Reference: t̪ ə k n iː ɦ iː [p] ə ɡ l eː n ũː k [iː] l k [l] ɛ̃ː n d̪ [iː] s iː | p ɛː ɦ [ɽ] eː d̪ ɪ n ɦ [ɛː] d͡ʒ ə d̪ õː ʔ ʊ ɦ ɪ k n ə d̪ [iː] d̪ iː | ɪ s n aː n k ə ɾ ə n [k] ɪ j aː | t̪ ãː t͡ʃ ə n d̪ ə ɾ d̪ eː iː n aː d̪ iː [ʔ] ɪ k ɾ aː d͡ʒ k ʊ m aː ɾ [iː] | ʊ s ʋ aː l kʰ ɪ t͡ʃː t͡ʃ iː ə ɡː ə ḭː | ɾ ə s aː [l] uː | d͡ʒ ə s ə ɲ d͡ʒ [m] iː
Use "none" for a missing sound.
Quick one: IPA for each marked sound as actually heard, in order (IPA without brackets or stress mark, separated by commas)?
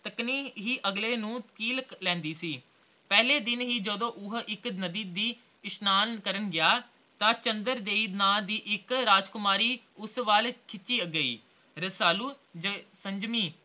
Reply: ʔ, iː, l, iː, l, iː, iː, ɡ, ʔ, iː, l, m